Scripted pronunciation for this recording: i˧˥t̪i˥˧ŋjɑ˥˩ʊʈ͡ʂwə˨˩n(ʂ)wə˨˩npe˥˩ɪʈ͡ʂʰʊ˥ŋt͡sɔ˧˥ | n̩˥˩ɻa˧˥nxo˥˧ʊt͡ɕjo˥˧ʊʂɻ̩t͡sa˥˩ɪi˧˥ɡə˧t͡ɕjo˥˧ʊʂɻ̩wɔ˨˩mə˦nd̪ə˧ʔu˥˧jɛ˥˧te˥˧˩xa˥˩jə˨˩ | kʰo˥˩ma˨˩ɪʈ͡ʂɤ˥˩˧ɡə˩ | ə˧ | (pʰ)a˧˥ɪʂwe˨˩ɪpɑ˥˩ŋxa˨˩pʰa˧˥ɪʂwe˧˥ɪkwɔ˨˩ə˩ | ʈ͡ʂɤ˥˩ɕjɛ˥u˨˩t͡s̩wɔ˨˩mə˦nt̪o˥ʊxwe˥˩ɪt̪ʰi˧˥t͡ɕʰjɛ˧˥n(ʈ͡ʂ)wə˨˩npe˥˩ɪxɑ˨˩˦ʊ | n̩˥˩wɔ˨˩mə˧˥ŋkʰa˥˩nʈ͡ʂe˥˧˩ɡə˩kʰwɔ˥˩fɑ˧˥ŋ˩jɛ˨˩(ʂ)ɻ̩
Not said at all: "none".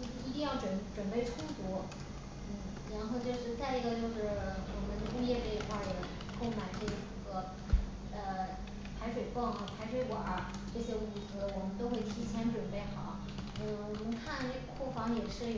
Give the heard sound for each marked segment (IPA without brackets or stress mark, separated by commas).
ʈ͡ʂ, pʰ, ʈ͡ʂ, ʂ